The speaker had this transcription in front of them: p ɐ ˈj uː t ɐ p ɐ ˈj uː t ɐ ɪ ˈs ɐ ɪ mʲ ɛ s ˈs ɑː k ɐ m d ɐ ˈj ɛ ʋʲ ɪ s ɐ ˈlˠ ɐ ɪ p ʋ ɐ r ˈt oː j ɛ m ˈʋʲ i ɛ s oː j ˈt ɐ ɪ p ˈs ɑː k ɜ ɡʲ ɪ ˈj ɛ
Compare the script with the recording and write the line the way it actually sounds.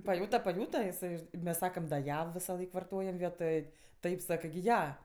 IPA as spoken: p ɐ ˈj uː t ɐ p ɐ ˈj uː t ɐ ɪ ˈs ɐ ɪ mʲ ɛ s ˈs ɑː k ɐ m d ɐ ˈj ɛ ʋʲ ɪ s ɐ ˈlˠ ɐ ɪ k ʋ ɐ r ˈt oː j ɛ m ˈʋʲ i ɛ t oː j ˈt ɐ ɪ p ˈs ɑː k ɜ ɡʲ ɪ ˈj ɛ